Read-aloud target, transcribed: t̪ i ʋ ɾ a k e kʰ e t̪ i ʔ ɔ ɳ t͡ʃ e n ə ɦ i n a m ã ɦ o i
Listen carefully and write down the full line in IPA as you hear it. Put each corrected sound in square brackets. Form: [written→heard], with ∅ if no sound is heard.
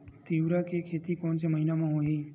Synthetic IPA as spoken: t̪ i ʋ ɾ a k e kʰ e t̪ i [ʔ→k] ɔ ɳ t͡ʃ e [n→m] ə ɦ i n a m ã ɦ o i